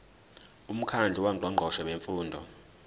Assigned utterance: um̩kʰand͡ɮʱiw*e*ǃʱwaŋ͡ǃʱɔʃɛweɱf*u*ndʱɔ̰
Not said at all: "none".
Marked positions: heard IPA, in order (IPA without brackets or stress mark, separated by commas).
a, uː